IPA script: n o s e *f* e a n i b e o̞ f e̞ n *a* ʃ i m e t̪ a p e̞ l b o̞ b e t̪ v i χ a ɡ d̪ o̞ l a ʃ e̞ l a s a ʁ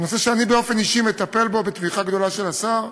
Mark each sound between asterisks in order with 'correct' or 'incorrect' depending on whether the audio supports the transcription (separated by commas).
incorrect, incorrect